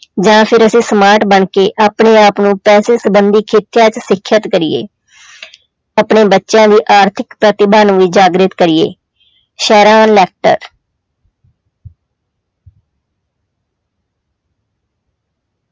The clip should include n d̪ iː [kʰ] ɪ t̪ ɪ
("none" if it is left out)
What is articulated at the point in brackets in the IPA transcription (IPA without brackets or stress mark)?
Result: kʰ